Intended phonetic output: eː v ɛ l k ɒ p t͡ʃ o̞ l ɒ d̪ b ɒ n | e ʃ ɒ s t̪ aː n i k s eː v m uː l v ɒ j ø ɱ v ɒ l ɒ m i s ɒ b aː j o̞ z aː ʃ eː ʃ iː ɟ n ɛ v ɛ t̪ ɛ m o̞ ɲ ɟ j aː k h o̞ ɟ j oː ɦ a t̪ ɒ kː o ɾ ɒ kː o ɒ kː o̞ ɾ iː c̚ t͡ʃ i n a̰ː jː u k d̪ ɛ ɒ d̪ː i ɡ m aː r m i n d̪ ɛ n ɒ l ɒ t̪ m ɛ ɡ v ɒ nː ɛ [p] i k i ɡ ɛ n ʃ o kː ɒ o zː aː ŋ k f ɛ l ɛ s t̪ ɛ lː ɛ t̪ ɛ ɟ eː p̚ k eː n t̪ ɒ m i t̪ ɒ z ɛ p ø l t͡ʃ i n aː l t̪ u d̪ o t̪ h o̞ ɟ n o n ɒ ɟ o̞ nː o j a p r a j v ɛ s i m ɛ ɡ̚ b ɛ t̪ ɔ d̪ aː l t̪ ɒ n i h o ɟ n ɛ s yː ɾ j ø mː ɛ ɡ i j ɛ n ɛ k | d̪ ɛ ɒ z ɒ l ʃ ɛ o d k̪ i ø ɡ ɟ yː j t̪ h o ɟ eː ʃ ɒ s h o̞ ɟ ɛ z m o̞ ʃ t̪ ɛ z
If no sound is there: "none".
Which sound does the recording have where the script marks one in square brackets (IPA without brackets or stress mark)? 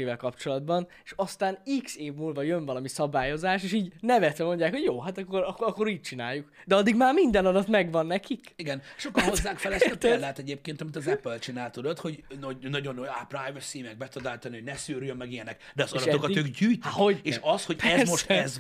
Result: k